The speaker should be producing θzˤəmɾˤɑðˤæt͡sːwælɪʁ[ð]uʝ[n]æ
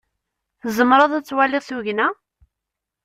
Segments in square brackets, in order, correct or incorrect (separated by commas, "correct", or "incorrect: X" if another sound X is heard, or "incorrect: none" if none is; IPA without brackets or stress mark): incorrect: θ, correct